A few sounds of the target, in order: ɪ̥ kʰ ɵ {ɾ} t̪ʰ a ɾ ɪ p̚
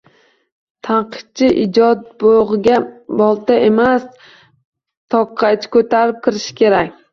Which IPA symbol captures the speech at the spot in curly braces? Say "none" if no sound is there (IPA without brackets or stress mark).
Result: none